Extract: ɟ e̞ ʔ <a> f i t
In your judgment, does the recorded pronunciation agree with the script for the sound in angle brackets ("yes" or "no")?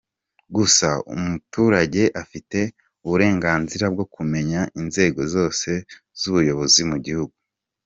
yes